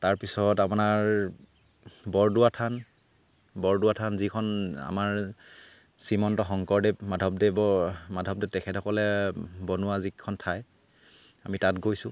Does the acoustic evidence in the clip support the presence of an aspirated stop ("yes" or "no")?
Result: yes